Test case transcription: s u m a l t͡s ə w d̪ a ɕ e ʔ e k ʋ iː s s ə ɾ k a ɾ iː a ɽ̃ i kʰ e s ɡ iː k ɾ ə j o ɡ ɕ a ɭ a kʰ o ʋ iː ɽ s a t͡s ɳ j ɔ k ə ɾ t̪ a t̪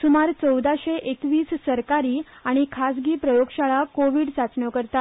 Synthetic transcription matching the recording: s u m a ɾ t͡s ə w d̪ a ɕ e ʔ e k ʋ iː s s ə ɾ k a ɾ iː a ɽ̃ i kʰ a s ɡ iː p ɾ ə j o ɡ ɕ a ɭ a k o ʋ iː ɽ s a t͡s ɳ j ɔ k ə ɾ t̪ a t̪